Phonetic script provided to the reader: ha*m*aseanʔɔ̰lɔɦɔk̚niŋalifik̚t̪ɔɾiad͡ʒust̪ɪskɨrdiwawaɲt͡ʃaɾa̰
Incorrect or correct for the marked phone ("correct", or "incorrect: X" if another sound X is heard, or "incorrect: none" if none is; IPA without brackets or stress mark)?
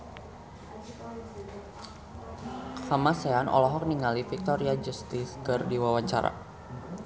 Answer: correct